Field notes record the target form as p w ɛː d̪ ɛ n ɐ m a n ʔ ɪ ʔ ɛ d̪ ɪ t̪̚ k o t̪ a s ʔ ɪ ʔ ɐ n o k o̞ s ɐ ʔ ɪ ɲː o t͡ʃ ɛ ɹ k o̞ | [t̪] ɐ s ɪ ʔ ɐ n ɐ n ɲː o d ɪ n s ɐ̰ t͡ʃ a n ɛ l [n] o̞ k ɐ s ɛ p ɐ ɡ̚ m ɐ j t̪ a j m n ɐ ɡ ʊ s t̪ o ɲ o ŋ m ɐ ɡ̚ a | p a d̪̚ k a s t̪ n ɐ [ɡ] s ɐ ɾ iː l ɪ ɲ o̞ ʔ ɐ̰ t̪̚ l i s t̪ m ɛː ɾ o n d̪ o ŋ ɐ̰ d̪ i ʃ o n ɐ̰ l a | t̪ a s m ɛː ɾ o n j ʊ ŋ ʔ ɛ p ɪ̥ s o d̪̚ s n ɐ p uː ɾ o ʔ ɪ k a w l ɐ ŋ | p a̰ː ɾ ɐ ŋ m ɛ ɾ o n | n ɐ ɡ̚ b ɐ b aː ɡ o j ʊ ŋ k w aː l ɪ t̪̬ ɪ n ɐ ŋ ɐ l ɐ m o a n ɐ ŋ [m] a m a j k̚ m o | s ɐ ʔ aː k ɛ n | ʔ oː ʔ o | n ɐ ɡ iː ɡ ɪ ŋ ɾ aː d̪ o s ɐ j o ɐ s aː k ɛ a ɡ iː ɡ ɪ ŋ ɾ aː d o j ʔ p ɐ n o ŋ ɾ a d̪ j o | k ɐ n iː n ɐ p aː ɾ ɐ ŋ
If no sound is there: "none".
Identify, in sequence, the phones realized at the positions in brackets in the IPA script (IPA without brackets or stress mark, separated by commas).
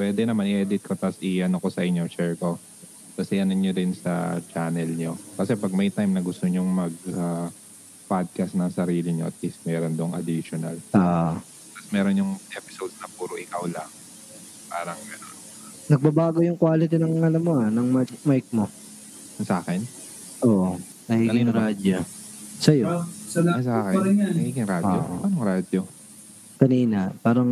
t̪, ɲ, ŋ, m